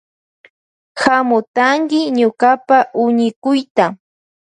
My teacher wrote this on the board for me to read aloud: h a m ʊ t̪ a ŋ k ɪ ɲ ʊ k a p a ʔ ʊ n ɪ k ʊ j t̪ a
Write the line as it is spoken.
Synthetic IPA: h a m ʊ t̪ a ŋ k ɪ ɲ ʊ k a p a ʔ ʊ ɲ ɪ k ʊ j t̪ a